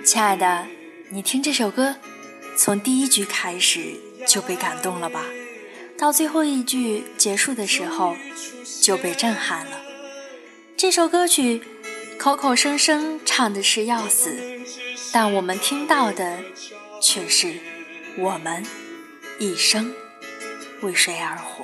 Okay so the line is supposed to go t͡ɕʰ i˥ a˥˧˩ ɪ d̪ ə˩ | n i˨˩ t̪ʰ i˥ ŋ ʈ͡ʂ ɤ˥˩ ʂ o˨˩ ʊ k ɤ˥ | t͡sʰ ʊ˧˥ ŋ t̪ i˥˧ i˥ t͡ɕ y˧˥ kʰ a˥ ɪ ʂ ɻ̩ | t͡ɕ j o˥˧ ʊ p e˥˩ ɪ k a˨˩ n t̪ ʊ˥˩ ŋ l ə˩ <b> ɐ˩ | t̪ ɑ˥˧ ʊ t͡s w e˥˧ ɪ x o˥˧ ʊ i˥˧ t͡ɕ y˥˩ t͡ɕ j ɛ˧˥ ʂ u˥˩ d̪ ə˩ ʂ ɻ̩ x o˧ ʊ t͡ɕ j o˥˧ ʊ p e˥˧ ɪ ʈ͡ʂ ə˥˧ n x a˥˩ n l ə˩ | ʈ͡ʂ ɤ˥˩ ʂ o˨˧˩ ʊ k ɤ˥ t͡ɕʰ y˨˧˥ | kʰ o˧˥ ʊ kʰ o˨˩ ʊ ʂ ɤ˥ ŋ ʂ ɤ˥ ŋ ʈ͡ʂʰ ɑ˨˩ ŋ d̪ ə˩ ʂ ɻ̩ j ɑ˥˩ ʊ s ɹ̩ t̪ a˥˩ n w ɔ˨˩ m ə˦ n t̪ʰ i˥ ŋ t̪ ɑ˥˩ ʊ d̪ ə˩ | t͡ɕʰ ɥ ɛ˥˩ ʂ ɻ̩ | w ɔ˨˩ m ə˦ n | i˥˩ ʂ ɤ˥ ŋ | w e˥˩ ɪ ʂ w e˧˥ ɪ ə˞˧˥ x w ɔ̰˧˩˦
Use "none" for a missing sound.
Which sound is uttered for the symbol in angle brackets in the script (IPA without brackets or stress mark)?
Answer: b